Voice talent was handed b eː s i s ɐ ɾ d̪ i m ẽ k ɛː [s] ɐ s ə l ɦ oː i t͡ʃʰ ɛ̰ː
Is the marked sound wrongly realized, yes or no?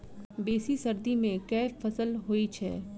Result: yes